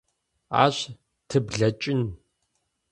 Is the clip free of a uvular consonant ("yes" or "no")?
yes